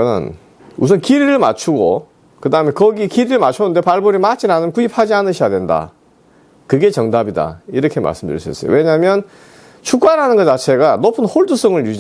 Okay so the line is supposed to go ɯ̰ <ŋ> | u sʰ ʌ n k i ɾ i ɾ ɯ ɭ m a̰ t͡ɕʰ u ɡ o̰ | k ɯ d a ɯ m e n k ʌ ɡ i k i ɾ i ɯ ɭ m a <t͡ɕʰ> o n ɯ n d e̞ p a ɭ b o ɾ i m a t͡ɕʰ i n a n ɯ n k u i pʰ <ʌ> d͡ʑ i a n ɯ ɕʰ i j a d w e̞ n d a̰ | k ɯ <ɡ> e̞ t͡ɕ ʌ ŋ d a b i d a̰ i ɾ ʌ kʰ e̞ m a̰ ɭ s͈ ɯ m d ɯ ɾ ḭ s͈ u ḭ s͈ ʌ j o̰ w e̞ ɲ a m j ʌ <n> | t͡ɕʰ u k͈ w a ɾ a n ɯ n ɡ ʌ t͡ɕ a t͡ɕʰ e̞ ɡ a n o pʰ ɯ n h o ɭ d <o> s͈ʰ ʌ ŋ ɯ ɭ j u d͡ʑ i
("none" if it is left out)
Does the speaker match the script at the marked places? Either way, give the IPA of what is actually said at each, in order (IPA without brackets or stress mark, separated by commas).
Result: n, t͡ɕʰ, a, ɡ, n, u